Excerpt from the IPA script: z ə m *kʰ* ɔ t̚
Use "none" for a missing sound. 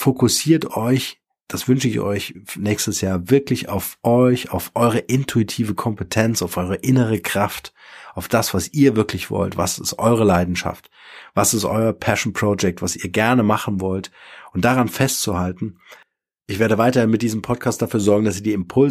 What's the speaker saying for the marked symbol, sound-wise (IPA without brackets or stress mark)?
pʰ